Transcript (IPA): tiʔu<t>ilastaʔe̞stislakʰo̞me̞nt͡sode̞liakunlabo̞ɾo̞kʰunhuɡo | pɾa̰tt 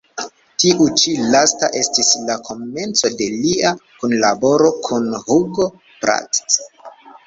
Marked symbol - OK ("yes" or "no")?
no